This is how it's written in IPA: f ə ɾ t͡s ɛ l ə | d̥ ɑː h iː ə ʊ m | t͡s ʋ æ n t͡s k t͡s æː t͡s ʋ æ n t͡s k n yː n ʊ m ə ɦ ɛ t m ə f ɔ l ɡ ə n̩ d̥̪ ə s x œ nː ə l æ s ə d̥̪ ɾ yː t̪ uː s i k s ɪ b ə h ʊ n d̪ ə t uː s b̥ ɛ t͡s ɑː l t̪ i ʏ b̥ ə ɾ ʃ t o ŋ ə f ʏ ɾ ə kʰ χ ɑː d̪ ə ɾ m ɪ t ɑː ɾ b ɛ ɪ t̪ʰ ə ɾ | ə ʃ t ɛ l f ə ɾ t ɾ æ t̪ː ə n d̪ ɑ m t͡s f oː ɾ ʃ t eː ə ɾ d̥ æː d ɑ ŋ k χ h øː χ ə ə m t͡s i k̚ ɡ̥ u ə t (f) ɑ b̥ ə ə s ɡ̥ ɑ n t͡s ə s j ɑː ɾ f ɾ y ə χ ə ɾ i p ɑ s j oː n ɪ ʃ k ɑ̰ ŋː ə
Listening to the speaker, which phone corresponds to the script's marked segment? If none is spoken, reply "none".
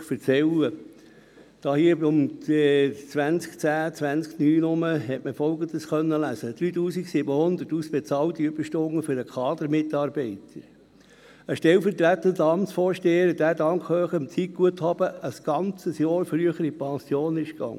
h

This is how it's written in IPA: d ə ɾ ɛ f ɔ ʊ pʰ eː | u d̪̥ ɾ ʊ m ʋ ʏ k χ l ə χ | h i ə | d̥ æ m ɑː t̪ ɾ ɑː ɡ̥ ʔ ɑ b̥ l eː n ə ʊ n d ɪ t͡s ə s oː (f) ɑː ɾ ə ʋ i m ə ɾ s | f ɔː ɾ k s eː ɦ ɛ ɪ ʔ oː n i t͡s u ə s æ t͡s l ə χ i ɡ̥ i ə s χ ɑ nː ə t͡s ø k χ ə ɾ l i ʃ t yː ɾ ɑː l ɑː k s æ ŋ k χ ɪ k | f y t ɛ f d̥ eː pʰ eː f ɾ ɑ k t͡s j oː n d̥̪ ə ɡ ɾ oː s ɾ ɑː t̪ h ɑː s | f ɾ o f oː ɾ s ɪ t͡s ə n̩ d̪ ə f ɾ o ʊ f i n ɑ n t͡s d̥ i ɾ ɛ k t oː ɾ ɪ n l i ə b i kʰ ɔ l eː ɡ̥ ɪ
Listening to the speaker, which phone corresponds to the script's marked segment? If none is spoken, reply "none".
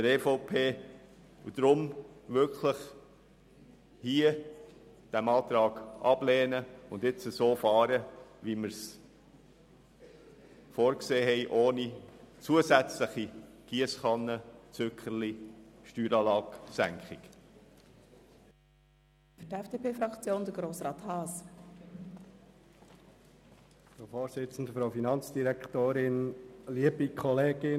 f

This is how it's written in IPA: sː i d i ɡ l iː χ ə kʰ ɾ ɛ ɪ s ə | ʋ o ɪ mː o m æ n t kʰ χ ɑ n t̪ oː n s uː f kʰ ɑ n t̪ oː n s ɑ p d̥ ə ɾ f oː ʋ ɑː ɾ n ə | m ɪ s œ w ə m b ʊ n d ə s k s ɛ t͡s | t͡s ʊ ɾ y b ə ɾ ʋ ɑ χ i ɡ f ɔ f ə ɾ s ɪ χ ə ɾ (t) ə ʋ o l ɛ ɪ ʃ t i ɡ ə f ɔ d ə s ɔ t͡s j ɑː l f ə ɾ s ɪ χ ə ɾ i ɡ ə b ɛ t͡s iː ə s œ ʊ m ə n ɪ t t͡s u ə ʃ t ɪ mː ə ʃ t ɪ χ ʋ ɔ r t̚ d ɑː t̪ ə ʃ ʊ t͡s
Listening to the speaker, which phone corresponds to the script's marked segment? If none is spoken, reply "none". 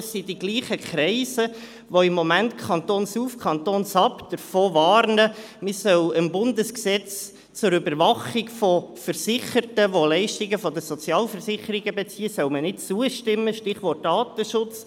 t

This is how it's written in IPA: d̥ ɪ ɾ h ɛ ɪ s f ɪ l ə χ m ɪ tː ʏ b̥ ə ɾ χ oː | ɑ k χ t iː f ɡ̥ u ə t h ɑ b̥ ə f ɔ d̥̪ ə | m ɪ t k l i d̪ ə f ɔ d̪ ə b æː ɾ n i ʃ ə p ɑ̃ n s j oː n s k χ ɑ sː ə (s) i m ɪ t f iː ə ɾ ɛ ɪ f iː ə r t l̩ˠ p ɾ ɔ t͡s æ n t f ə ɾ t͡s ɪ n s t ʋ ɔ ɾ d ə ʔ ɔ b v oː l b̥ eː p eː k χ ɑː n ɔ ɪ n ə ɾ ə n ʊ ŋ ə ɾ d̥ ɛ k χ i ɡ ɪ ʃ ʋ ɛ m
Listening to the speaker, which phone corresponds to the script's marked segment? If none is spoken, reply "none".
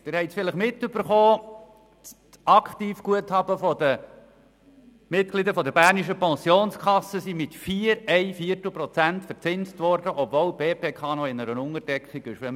s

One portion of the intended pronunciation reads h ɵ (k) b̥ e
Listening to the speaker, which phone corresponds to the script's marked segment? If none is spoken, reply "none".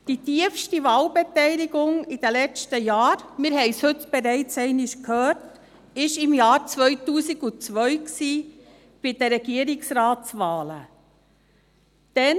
t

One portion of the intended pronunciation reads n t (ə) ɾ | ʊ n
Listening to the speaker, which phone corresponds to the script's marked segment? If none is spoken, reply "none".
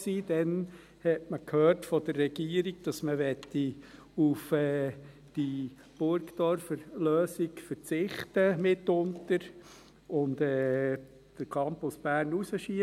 ə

